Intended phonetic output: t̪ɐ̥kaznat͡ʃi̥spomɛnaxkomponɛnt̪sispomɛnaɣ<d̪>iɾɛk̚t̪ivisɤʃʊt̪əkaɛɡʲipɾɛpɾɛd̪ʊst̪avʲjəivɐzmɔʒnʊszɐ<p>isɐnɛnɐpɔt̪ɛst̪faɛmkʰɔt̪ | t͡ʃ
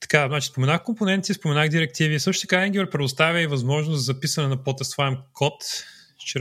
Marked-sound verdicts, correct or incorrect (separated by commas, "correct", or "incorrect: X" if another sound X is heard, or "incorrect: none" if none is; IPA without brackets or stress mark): correct, correct